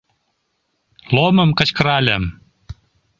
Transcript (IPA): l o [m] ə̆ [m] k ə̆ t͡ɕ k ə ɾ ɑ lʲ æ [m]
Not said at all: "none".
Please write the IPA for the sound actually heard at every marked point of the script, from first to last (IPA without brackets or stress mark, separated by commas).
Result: m, m, m